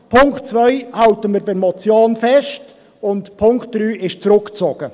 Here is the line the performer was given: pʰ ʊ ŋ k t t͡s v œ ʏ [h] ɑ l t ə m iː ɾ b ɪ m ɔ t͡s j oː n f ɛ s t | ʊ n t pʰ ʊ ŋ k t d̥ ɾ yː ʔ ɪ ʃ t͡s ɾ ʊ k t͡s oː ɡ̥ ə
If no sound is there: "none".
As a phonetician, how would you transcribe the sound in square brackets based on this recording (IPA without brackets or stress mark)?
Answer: h